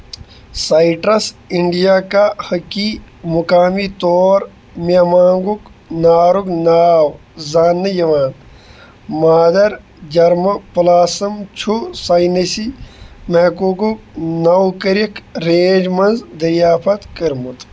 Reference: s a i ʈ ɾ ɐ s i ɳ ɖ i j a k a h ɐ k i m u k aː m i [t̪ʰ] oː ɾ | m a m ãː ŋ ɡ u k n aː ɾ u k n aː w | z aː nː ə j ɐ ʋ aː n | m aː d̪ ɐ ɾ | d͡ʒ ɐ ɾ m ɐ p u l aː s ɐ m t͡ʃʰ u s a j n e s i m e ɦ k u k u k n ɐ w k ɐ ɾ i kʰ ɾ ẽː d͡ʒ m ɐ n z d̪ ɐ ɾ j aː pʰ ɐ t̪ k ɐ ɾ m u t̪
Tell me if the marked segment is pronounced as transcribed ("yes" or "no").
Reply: no